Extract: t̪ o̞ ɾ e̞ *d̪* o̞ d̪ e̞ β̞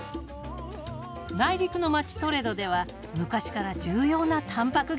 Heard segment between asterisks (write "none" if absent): d̪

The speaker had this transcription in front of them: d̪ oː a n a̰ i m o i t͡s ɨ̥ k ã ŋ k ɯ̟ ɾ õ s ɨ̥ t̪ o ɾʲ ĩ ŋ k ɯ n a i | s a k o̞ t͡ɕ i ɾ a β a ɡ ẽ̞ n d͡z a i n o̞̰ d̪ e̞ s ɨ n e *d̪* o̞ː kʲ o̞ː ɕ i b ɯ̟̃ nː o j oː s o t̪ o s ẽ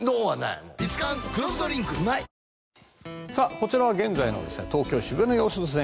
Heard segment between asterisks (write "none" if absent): t̪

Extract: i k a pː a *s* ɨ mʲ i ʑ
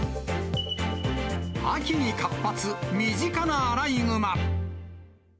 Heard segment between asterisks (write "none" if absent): t͡s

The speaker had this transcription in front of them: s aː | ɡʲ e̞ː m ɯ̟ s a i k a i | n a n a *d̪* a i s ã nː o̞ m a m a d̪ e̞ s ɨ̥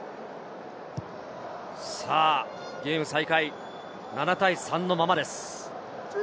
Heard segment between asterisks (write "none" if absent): t̪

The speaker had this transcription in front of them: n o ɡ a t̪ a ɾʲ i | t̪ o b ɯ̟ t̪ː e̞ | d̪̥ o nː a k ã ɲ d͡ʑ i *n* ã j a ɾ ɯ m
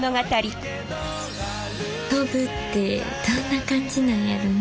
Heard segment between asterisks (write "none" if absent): n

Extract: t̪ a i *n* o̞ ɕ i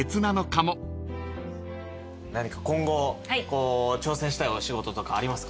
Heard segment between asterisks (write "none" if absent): none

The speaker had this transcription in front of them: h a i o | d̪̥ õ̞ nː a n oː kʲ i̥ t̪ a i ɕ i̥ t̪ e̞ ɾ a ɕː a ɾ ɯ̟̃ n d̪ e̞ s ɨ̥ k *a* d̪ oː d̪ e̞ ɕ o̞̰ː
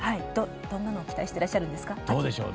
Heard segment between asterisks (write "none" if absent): a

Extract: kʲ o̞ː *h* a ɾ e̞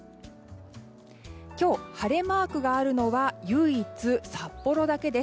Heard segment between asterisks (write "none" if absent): h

